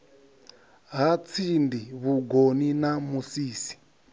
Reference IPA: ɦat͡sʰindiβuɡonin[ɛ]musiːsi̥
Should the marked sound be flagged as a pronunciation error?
yes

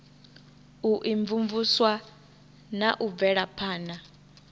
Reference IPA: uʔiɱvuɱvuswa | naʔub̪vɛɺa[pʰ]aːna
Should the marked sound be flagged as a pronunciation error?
no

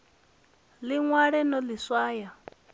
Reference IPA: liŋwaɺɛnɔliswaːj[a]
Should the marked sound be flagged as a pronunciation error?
no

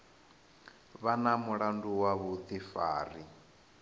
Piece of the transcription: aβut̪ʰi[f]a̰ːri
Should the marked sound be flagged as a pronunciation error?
no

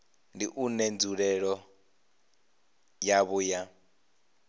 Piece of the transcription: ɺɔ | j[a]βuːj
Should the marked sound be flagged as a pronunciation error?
no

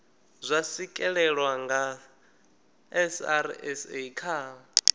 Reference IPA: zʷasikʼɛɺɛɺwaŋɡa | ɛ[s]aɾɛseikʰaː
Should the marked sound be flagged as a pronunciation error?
no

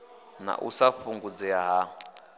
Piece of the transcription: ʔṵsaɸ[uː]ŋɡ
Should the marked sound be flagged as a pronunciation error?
yes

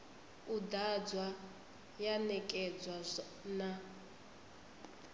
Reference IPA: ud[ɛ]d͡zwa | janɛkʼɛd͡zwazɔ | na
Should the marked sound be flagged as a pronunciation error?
yes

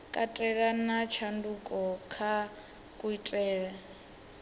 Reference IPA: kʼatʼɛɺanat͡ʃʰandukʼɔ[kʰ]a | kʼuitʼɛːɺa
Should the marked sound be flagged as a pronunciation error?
no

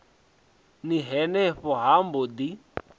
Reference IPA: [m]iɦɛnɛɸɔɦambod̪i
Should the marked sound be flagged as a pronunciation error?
yes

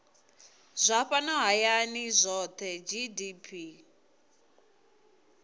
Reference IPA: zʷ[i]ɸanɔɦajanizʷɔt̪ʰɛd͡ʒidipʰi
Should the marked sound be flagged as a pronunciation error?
yes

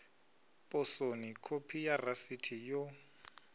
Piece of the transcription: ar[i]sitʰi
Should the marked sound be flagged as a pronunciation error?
yes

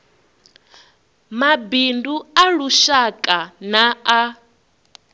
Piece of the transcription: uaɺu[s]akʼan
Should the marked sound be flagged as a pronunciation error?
yes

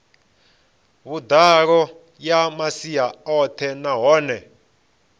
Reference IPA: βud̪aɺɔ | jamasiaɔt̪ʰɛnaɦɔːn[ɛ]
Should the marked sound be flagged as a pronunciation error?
no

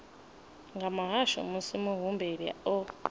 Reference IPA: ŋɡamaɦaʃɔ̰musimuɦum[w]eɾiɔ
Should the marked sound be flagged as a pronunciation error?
yes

